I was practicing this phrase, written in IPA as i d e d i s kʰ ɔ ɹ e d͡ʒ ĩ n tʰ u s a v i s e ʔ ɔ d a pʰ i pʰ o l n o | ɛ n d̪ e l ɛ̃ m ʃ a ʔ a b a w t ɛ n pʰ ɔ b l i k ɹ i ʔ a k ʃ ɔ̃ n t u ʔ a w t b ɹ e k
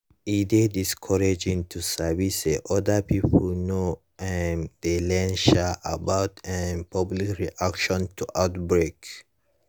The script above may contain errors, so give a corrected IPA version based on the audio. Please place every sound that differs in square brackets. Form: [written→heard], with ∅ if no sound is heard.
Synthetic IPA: i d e d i s kʰ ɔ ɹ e d͡ʒ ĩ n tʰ u s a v i s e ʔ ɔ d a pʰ i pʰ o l n o | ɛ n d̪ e l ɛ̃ [m→n] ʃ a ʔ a b a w t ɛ n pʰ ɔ b l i k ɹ i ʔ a k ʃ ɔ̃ n t u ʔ a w t b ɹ e k